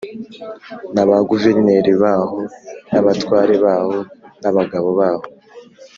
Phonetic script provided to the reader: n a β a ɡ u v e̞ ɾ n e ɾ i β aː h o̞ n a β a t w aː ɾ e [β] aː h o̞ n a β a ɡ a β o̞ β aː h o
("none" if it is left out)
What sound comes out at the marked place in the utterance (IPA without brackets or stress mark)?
β